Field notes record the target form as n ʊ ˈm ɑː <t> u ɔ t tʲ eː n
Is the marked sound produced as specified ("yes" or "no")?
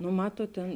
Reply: yes